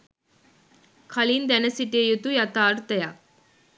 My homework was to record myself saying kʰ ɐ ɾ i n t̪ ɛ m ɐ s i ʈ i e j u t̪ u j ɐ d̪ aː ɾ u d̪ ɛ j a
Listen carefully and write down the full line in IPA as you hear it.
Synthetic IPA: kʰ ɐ l i n d̪ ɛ n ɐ s i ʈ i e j u t̪ u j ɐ t̪ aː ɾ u t̪ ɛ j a